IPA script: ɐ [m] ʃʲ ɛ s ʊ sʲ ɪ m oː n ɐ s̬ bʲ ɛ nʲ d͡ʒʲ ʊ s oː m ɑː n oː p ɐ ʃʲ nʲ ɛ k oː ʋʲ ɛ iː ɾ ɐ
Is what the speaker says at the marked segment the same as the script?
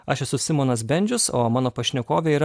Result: no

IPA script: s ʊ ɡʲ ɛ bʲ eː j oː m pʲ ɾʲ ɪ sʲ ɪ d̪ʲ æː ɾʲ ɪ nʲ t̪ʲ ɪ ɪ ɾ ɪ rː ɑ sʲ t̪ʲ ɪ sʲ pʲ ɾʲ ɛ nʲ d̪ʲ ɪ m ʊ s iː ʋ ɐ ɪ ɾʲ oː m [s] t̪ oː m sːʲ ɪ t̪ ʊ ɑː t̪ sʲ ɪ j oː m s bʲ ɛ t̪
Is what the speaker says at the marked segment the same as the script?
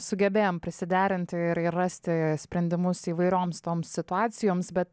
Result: yes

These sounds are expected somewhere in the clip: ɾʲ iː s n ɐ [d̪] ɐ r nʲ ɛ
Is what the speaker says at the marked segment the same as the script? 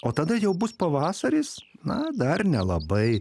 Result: yes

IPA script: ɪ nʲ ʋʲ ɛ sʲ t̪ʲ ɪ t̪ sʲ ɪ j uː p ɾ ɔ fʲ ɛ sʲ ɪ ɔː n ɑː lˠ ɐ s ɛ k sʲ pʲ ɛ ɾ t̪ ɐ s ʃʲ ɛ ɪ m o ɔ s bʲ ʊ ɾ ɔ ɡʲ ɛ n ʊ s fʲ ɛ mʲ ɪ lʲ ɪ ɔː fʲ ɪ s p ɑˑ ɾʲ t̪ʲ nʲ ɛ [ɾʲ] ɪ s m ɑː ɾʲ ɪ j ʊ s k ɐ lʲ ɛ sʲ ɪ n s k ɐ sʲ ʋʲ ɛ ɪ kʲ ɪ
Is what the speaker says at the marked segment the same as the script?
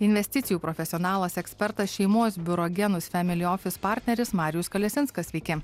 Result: yes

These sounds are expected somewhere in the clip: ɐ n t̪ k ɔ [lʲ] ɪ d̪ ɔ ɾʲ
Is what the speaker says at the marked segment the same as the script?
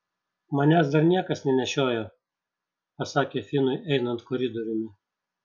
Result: no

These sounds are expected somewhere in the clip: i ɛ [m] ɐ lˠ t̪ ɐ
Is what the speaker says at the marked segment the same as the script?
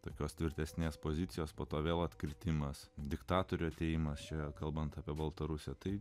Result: no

